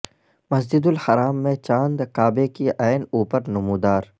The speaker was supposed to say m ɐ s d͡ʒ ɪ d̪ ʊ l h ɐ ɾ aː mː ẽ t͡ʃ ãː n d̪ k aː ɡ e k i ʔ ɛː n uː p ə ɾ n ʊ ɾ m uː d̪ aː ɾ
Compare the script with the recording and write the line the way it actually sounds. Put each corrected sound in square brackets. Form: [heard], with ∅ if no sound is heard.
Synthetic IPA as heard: m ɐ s d͡ʒ ɪ d̪ ʊ l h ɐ ɾ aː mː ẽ t͡ʃ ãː n d̪ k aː [b] e k i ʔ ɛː n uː p ə ɾ n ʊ [∅] m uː d̪ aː ɾ